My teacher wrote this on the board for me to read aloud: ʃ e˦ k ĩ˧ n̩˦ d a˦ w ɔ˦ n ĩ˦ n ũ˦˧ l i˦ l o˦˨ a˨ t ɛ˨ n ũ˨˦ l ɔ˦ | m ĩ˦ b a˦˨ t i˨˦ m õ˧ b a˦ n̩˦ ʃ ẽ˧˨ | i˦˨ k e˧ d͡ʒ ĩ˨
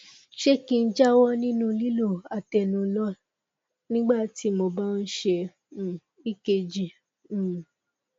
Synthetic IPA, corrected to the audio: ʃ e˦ k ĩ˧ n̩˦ d͡ʒ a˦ w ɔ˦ n ĩ˦ n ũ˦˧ l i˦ l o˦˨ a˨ t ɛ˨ n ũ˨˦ l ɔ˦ | n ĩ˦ ɡ͡b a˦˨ t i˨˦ m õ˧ b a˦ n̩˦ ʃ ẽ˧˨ | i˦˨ k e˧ d͡ʒ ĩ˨